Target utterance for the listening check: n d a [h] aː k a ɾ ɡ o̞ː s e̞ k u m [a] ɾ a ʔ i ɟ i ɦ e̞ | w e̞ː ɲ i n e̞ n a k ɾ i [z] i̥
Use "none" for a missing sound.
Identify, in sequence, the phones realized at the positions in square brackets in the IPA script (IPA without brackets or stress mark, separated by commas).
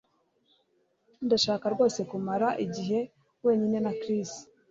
ʃ, a, s